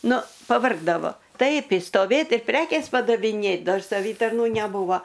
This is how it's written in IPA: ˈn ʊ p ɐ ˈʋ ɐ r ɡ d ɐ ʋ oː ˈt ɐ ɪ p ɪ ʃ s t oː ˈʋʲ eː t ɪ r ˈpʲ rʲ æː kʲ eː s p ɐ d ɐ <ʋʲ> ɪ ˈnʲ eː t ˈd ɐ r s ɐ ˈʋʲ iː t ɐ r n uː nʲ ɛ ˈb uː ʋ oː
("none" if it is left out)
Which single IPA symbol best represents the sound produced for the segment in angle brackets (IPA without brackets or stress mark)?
ʋʲ